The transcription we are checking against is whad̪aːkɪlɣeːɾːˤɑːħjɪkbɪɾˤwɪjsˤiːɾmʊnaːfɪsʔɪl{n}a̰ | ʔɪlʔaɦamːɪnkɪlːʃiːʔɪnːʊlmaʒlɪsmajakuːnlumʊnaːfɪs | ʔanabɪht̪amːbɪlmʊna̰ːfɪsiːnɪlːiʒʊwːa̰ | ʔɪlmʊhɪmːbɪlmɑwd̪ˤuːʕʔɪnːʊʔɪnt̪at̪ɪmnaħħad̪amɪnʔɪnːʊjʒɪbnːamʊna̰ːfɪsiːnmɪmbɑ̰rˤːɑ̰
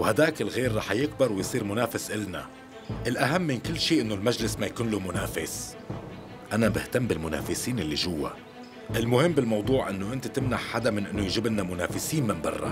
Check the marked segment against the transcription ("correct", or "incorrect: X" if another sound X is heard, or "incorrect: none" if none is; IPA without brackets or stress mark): correct